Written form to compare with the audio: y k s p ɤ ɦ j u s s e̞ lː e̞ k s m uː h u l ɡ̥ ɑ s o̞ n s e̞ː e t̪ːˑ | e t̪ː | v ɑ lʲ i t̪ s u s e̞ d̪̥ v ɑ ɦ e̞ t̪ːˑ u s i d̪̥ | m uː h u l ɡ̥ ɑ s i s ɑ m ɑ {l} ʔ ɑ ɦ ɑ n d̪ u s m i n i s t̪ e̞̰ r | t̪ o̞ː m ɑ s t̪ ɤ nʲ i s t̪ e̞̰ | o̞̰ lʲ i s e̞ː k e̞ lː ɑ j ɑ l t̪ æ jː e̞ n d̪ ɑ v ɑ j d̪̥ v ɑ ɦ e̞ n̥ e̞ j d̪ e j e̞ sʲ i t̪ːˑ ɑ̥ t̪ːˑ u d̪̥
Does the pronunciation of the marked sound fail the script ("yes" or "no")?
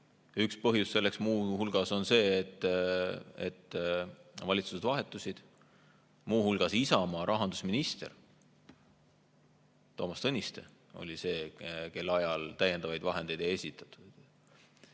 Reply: yes